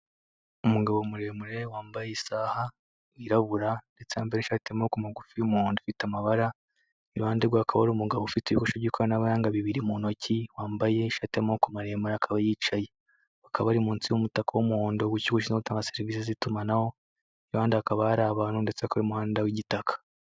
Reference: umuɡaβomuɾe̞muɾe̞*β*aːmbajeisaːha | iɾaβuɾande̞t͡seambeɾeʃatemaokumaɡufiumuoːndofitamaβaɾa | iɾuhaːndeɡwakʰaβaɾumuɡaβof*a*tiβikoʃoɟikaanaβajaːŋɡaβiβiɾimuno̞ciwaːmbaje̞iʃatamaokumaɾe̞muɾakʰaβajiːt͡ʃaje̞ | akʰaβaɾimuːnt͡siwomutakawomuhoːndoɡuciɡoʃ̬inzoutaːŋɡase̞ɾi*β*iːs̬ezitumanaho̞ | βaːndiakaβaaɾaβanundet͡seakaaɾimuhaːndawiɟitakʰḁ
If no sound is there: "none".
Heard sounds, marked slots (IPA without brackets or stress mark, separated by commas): w, i, v